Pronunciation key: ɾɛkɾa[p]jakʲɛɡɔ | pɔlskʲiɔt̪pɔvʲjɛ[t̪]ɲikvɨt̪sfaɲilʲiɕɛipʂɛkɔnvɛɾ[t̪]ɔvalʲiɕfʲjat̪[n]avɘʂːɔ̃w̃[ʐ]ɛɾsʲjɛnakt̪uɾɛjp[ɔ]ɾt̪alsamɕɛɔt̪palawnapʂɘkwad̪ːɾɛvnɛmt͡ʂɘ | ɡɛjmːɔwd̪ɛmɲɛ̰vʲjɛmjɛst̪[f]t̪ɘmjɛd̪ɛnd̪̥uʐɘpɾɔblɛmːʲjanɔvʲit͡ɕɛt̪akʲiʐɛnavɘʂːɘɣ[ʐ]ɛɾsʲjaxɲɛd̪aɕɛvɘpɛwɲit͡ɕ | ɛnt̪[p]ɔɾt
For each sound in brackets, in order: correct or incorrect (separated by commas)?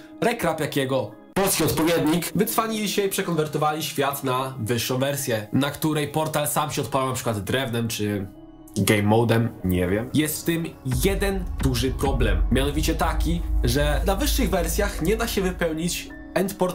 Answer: correct, incorrect, correct, correct, incorrect, correct, correct, incorrect, correct